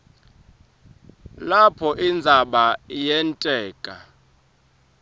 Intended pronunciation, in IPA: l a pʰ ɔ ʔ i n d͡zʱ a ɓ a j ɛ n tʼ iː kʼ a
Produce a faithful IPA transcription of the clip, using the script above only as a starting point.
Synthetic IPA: l a pʰ ɔ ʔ i n d͡zʱ a ɓ a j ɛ n tʼ ɛː kʼ a

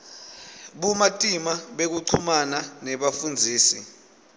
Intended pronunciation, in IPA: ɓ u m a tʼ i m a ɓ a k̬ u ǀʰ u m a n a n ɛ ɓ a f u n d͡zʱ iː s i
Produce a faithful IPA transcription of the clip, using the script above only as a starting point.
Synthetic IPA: ɓ u m a tʼ i m a ɓ e k̬ u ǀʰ u m a n a n ɛ ɓ a f u n d͡zʱ iː s i

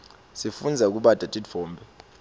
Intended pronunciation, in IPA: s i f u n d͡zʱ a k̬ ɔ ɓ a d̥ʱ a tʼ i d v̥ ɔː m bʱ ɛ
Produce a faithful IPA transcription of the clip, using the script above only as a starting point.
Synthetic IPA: s i f u n d͡zʱ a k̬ u ɓ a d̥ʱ a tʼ i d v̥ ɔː m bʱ ɛ

